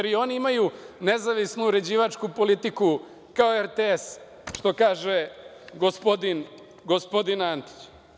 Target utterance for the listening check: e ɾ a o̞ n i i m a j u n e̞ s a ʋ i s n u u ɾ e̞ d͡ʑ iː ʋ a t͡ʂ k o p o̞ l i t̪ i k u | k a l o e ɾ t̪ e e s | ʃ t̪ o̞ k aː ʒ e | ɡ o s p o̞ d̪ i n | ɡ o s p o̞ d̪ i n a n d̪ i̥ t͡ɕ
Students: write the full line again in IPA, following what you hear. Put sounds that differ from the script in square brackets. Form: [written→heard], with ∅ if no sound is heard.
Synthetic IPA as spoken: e ɾ [a→i] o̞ n i i m a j u n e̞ [s→z] a ʋ i s n u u ɾ e̞ d͡ʑ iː ʋ a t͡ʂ k [o→u] p o̞ l i t̪ i k u | k a [l→∅] o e ɾ t̪ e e s | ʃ t̪ o̞ k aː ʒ e | ɡ o s p o̞ d̪ i n | ɡ o s p o̞ d̪ i n a n [d̪→t̪] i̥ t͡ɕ

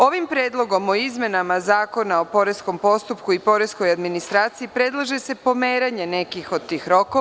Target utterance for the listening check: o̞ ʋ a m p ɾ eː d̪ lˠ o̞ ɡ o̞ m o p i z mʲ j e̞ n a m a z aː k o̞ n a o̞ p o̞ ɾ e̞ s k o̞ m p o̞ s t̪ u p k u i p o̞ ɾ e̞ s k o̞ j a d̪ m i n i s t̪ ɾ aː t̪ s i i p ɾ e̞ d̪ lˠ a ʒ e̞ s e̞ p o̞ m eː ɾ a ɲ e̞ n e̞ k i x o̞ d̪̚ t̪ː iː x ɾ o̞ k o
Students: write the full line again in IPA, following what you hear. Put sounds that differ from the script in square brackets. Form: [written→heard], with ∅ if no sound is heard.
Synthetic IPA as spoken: o̞ ʋ [a→i] m p ɾ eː d̪ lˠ o̞ ɡ o̞ m o [p→∅] i z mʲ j e̞ n a m a z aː k o̞ n a o̞ p o̞ ɾ e̞ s k o̞ m p o̞ s t̪ u p k u i p o̞ ɾ e̞ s k o̞ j a d̪ m i n i s t̪ ɾ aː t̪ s i i p ɾ e̞ d̪ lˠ a ʒ e̞ s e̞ p o̞ m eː ɾ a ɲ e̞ n e̞ k i x o̞ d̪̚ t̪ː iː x ɾ o̞ k o

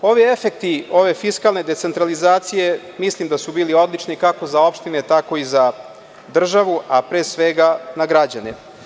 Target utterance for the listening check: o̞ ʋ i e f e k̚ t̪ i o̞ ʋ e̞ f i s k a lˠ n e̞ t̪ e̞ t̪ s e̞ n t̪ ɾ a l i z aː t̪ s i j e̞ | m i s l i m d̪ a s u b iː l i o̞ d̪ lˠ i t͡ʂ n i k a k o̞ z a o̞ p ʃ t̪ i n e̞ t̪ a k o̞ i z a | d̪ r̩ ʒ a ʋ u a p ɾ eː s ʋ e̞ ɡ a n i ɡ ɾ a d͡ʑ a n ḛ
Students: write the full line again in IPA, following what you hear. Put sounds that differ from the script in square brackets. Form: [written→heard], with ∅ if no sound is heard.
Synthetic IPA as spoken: o̞ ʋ i e f e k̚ t̪ i o̞ ʋ e̞ f i s k a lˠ n e̞ [t̪→d̪] e̞ t̪ s e̞ n t̪ ɾ a l i z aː t̪ s i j e̞ | m i s l i m d̪ a s u b iː l i o̞ d̪ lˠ i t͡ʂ n i k a k o̞ z a o̞ p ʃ t̪ i n e̞ t̪ a k o̞ i z a | d̪ r̩ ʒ a ʋ u a p ɾ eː s ʋ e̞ ɡ a n [i→a] ɡ ɾ a d͡ʑ a n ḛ

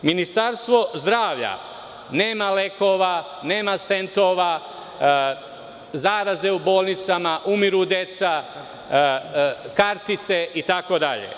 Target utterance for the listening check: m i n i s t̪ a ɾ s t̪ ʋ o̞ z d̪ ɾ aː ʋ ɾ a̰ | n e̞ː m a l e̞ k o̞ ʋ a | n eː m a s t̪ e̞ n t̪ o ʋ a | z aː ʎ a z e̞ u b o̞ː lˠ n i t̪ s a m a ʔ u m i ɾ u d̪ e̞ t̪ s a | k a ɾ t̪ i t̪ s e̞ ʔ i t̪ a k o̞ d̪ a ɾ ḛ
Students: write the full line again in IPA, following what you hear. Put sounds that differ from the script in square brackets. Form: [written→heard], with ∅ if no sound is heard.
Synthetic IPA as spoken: m i n i s t̪ a ɾ s t̪ ʋ o̞ z d̪ ɾ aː ʋ [ɾ→ʎ] a̰ | n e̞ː m a l e̞ k o̞ ʋ a | n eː m a s t̪ e̞ n t̪ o ʋ a | z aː [ʎ→ɾ] a z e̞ u b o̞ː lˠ n i t̪ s a m a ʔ u m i ɾ u d̪ e̞ t̪ s a | k a ɾ t̪ i t̪ s e̞ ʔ i t̪ a k o̞ d̪ a [ɾ→ʎ] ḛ

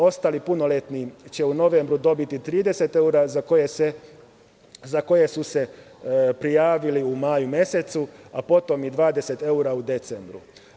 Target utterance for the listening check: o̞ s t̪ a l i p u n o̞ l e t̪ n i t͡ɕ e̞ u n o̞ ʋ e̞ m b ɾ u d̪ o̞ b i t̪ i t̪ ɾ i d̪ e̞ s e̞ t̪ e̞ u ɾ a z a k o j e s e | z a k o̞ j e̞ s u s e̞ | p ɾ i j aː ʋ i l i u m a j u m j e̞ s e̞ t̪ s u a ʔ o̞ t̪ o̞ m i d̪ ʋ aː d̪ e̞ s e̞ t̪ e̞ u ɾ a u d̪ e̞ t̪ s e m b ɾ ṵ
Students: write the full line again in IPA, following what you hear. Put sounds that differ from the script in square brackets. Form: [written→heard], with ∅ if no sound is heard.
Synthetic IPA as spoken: o̞ s t̪ a l i p u n o̞ l e t̪ n i t͡ɕ e̞ u n o̞ ʋ e̞ m b ɾ u d̪ o̞ b i t̪ i t̪ ɾ [i→iː] d̪ e̞ s e̞ t̪ e̞ u ɾ a z a k o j e s e | z a k o̞ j e̞ s u s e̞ | p ɾ i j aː ʋ i l i u m a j u m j e̞ s e̞ t̪ s u a [ʔ→p] o̞ t̪ o̞ m i d̪ ʋ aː d̪ e̞ s e̞ t̪ e̞ u ɾ a u d̪ e̞ t̪ s e m b ɾ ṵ

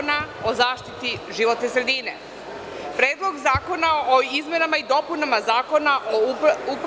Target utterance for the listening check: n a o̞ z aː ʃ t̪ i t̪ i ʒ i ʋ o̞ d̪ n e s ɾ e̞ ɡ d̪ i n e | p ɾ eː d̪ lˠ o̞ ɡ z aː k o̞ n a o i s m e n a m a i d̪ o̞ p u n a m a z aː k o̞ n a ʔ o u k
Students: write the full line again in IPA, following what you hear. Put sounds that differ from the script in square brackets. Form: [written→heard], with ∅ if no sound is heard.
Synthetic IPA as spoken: n a o̞ z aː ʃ t̪ i t̪ i ʒ i ʋ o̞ [d̪→t̪] n e s ɾ e̞ [ɡ→∅] d̪ i n e | p ɾ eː d̪ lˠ o̞ ɡ z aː k o̞ n a o i [s→z] m e n a m a i d̪ o̞ p u n a m a z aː k o̞ n a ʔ o u [k→p]

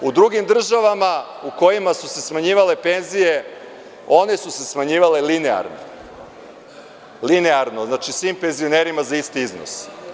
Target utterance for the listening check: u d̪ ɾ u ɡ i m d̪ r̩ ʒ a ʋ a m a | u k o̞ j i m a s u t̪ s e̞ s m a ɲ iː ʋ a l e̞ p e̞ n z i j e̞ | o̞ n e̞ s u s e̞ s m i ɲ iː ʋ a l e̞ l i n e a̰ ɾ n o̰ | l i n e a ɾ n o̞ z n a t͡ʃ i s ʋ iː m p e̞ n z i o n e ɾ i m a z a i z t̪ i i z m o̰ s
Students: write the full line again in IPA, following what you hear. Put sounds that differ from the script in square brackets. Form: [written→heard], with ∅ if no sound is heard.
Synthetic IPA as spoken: u d̪ ɾ u ɡ i m d̪ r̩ ʒ a ʋ a m a | u k o̞ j i m a s u [t̪→∅] s e̞ s m a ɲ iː ʋ a l e̞ p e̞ n z i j e̞ | o̞ n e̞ s u s e̞ s m [i→a] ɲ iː ʋ a l e̞ l i n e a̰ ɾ n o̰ | l i n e a ɾ n o̞ z n a t͡ʃ i s ʋ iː m p e̞ n z i o n e ɾ i m a z a i [z→s] t̪ i i z [m→n] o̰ s

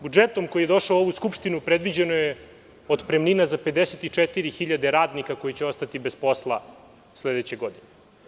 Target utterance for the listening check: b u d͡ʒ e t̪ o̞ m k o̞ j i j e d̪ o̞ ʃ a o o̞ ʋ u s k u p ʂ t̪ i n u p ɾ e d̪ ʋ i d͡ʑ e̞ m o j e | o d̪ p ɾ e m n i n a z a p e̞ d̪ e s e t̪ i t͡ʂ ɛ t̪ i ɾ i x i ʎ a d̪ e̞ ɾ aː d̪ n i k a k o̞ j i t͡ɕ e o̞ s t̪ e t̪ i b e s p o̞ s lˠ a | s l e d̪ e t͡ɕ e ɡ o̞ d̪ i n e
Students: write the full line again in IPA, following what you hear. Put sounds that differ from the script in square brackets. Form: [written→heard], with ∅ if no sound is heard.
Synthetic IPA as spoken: b u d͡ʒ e t̪ o̞ m k o̞ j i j e d̪ o̞ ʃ a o o̞ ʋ u s k u p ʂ t̪ i n u p ɾ e d̪ ʋ i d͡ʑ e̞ [m→n] o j e | o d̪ p ɾ e m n i n a z a p e̞ d̪ e s e t̪ i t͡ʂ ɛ t̪ i ɾ i x i ʎ a d̪ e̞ ɾ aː d̪ n i k a k o̞ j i t͡ɕ e o̞ s t̪ [e→a] t̪ i b e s p o̞ s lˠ a | s l e d̪ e t͡ɕ e ɡ o̞ d̪ i n e

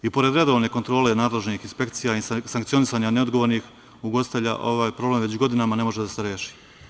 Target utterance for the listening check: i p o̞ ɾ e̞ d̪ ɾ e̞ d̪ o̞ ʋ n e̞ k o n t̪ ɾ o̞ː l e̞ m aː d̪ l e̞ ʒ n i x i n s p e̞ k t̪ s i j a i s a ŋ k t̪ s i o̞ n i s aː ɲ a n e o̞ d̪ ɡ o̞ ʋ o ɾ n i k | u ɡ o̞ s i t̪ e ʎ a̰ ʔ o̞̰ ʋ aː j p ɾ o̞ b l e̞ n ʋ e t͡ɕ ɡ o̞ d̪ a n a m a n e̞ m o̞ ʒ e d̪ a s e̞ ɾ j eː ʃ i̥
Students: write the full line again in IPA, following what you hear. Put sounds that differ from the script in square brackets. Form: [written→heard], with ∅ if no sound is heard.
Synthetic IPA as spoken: i p o̞ ɾ e̞ d̪ ɾ e̞ d̪ o̞ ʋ n e̞ k o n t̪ ɾ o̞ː l e̞ [m→n] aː d̪ l e̞ ʒ n i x i n s p e̞ k t̪ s i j a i s a ŋ k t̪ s i o̞ n i s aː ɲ a n e o̞ d̪ ɡ o̞ ʋ o ɾ n i [k→x] | u ɡ o̞ s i t̪ e ʎ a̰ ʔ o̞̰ ʋ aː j p ɾ o̞ b l e̞ [n→m] ʋ e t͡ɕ ɡ o̞ d̪ [a→i] n a m a n e̞ m o̞ ʒ e d̪ a s e̞ ɾ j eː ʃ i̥

